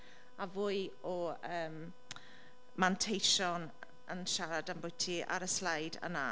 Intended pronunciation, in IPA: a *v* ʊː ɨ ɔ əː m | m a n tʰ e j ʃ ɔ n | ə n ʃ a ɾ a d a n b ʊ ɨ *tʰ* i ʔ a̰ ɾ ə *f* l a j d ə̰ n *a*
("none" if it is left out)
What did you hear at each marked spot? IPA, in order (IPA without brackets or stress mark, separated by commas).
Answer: v, tʰ, s, a